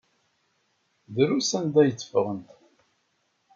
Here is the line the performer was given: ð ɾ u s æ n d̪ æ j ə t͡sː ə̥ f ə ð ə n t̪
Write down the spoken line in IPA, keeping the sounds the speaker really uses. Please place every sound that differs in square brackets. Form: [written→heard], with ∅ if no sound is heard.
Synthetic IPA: ð ɾ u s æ n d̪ æ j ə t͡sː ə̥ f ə [ð→ʁ] ə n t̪